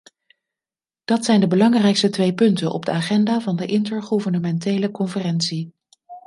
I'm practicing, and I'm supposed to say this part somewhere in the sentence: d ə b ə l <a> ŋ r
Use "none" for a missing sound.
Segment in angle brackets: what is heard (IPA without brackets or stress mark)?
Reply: ɑ